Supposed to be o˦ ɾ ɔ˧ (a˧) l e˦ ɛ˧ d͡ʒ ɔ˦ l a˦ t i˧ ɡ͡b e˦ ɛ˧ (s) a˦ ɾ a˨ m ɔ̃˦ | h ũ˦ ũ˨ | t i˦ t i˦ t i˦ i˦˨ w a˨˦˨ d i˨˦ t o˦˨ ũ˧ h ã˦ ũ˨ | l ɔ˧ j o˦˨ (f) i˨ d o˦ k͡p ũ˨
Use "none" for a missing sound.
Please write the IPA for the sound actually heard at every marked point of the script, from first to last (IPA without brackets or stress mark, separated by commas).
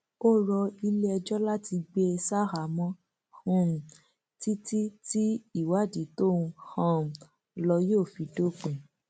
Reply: i˧, s, f